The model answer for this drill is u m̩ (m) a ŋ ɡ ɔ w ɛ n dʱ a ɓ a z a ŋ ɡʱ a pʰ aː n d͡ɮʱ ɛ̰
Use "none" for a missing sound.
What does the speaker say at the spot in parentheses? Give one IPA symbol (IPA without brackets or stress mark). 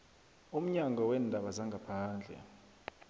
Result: ɲ